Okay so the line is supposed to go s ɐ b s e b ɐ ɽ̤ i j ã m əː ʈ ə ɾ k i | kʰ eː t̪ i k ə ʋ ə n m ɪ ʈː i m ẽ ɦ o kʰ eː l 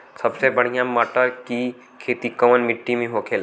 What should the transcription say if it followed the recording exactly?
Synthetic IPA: s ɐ b s e b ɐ ɽ̤ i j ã m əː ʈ ə ɾ k i | kʰ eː t̪ i k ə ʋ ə n m ɪ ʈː i m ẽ ɦ o kʰ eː l